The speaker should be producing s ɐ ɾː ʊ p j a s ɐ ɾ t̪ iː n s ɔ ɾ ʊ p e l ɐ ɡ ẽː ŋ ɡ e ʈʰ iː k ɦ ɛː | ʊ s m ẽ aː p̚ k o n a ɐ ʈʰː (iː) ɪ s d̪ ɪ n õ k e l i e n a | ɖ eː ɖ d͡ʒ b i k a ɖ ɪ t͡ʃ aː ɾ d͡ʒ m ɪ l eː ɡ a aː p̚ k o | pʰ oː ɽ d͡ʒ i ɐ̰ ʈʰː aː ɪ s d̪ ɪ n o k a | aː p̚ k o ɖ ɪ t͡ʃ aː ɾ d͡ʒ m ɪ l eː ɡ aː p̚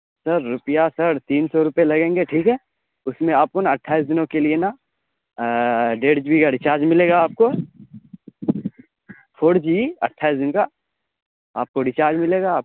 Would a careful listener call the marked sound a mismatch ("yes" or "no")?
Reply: yes